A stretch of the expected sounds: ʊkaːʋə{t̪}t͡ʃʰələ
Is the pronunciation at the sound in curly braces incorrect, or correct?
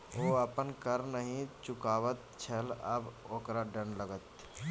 correct